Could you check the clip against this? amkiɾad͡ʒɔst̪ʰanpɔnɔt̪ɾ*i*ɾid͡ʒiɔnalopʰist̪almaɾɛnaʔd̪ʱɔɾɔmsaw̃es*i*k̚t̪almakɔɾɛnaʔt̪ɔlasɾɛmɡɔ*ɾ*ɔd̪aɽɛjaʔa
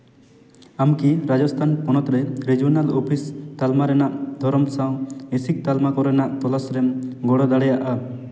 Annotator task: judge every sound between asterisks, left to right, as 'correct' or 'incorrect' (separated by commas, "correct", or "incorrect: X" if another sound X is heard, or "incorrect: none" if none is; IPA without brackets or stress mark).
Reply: incorrect: ɛ, correct, incorrect: ɽ